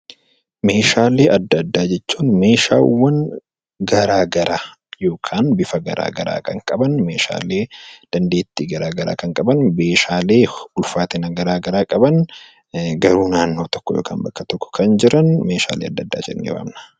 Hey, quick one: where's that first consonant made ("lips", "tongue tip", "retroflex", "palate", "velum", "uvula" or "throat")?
lips